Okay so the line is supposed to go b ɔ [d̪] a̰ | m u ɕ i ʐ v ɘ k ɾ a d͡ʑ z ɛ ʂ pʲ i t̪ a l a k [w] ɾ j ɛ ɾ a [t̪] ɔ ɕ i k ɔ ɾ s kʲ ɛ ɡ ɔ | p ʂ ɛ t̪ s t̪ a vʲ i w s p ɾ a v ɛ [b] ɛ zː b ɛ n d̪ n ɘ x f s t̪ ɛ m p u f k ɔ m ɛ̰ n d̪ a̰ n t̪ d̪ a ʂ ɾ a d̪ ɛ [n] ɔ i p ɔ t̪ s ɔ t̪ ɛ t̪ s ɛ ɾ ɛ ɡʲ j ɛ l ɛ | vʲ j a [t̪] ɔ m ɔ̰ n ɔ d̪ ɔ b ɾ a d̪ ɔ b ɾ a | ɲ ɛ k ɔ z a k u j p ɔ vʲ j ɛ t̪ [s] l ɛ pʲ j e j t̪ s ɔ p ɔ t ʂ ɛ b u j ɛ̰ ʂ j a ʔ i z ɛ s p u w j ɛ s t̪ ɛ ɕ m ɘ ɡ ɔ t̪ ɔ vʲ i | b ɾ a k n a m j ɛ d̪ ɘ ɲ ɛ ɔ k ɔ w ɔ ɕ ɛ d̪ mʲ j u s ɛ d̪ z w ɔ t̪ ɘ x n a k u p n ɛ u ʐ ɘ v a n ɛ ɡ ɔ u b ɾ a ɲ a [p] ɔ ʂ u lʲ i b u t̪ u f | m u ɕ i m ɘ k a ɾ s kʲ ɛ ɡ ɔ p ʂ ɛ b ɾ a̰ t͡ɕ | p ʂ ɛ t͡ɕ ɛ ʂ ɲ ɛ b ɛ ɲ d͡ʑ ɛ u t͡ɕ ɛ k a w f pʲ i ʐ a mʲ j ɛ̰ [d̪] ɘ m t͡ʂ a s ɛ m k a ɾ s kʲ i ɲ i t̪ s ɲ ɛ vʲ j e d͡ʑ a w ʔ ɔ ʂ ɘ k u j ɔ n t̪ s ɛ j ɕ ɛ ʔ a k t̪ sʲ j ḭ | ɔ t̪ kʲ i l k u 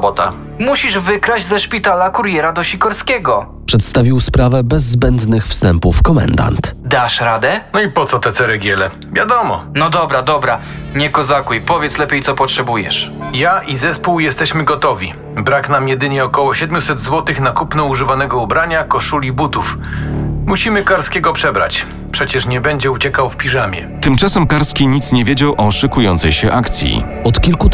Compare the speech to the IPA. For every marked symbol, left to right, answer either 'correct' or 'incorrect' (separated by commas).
incorrect, incorrect, incorrect, correct, correct, incorrect, correct, incorrect, incorrect